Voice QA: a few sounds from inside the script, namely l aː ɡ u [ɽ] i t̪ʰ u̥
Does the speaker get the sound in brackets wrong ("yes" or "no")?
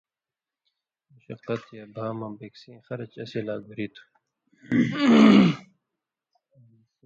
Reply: yes